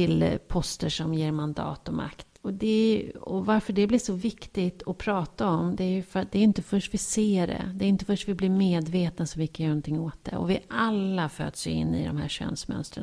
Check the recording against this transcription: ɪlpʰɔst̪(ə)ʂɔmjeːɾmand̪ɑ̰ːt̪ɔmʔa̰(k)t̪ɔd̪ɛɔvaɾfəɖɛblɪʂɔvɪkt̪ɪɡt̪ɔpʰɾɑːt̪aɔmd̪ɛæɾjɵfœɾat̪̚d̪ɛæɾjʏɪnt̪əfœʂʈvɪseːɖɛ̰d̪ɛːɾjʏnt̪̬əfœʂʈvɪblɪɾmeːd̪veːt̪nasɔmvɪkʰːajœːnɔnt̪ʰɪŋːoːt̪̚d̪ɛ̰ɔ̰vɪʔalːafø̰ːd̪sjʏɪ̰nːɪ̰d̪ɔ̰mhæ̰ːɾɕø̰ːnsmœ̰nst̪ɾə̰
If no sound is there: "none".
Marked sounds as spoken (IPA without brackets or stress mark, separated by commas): ə, k